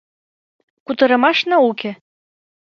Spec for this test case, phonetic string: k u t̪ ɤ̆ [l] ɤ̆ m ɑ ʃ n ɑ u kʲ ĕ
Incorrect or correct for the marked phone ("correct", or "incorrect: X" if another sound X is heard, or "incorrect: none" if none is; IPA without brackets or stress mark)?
incorrect: ɾ